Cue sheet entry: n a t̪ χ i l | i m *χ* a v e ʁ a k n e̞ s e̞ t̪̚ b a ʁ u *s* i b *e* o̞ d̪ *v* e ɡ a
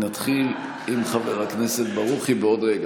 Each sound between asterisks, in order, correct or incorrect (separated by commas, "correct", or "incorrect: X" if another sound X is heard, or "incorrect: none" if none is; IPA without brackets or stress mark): correct, incorrect: χ, correct, incorrect: ʁ